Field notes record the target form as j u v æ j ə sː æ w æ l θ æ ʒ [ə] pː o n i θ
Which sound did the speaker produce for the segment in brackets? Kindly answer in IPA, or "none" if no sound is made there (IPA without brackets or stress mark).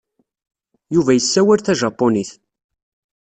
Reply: ɑ